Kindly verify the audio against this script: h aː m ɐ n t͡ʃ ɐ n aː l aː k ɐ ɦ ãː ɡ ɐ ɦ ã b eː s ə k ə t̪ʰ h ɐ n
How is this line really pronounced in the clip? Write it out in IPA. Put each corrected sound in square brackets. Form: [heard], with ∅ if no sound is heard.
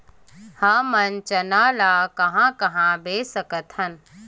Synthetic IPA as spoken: h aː m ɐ n t͡ʃ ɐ n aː l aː k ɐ ɦ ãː [k] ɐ ɦ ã b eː s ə k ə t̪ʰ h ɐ n